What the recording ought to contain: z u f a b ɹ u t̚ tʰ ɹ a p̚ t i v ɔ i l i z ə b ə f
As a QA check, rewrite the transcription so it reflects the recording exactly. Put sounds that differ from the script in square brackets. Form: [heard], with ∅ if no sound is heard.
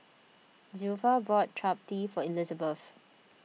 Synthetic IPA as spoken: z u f a b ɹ [ɔ] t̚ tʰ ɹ a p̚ t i [f] ɔ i l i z ə b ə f